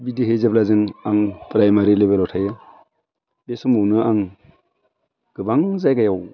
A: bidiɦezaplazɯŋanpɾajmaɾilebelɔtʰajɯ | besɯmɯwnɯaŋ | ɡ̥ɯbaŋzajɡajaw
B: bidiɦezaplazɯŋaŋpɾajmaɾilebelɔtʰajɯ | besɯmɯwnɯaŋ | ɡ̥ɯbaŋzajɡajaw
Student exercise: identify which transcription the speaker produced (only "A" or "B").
B